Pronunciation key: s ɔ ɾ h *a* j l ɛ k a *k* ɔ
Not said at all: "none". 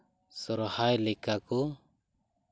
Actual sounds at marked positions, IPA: a, k

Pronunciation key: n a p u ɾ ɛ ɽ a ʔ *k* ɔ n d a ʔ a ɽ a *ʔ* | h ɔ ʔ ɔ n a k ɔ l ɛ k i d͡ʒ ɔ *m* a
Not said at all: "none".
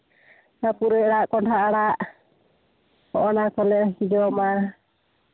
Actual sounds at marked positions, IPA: k, ʔ, m

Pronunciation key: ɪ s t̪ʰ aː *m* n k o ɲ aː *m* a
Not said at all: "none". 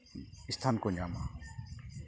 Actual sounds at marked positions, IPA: none, m

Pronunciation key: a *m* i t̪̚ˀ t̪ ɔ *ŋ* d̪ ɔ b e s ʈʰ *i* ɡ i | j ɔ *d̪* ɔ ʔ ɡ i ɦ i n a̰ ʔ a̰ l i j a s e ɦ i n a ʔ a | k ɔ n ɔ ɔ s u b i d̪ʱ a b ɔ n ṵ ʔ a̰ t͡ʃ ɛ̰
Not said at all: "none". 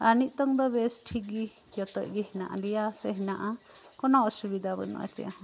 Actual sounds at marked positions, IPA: n, ŋ, i, t̪

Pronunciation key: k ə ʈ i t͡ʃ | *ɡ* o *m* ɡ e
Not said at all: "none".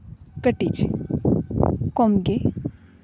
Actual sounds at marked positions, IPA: k, m

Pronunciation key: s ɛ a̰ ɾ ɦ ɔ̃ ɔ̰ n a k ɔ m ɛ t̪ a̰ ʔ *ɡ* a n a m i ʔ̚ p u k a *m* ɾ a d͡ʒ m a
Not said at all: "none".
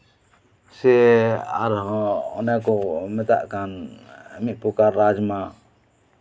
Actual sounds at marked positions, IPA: k, none

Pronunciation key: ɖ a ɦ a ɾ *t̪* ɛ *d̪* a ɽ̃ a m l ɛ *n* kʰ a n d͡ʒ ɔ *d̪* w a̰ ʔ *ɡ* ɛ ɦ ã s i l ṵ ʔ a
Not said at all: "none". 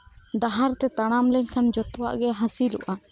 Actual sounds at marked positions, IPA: t̪, t̪, ɲ, t̪, ɡ

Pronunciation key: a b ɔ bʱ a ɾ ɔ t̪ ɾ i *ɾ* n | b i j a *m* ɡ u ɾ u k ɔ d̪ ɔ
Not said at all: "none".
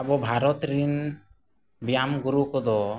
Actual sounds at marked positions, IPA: none, m

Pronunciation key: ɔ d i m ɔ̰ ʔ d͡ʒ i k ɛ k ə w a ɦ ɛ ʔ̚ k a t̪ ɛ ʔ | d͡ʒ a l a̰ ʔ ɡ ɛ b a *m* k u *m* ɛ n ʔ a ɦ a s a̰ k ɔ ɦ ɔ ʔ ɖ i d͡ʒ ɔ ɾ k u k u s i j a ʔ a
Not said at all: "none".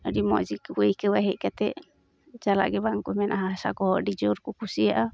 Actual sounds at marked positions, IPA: ŋ, m

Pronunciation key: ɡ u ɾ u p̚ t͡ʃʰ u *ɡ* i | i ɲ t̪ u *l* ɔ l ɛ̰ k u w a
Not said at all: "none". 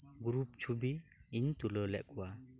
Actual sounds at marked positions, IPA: b, l

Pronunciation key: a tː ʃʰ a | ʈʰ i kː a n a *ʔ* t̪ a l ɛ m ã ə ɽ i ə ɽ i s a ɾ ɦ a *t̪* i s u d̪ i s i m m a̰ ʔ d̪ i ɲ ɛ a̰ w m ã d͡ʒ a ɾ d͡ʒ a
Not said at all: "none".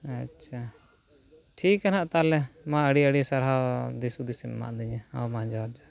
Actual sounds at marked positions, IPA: ʔ, d̪

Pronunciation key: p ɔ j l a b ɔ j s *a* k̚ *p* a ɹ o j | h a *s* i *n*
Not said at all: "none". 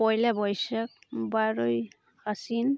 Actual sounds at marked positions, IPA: a, b, s, n

